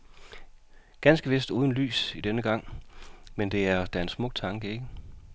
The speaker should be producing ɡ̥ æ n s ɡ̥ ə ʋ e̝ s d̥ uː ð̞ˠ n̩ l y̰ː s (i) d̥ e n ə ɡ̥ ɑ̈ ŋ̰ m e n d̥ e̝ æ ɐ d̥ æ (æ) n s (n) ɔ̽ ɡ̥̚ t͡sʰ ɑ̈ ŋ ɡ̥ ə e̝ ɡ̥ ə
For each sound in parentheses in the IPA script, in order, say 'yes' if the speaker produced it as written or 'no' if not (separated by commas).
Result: yes, no, no